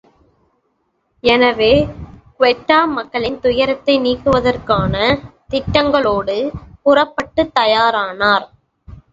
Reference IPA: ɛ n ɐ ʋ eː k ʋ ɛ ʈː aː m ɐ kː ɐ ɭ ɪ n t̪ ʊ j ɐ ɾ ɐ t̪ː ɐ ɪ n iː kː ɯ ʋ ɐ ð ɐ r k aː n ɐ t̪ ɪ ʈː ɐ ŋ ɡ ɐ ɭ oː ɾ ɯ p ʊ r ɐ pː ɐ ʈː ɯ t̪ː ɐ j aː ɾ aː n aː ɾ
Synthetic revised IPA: ɛ n ɐ ʋ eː k ʋ ɛ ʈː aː m ɐ kː ɐ ɭ ɪ n t̪ ʊ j ɐ ɾ ɐ t̪ː ɐ ɪ n iː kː ɯ ʋ ɐ ð ɐ r k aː n ɐ t̪ ɪ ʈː ɐ ŋ ɡ ɐ ɭ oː ɽ ɯ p ʊ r ɐ pː ɐ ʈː ɯ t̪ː ɐ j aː ɾ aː n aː ɾ